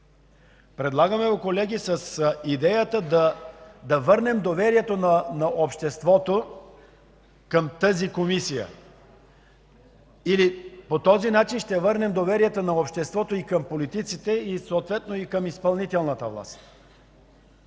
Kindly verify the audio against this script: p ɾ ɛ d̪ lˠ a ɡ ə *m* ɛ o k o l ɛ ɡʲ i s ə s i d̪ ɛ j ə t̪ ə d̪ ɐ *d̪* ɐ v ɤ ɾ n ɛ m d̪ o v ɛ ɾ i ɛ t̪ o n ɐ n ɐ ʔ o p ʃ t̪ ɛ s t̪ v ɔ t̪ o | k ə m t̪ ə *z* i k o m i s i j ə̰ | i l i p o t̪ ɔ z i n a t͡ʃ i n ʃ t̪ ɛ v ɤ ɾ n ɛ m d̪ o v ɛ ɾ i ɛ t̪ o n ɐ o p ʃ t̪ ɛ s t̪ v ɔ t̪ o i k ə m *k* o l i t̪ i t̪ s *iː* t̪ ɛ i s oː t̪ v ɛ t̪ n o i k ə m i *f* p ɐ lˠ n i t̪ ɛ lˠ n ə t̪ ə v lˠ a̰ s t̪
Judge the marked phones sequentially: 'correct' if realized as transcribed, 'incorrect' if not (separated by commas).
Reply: correct, correct, correct, incorrect, incorrect, incorrect